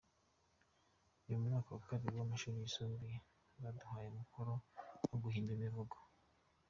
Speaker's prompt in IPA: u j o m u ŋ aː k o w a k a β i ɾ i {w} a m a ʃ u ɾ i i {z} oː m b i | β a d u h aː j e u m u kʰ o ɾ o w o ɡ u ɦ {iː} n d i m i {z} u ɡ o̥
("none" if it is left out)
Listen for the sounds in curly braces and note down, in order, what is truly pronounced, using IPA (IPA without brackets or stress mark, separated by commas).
w, s, iː, v